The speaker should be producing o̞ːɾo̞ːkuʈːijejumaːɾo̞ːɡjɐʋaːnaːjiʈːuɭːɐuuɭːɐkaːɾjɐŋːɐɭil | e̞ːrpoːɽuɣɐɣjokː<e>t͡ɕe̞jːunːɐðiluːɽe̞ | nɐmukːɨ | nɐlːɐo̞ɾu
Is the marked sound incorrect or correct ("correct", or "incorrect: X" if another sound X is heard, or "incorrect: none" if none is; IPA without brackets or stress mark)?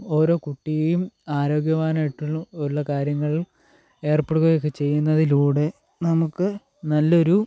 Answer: correct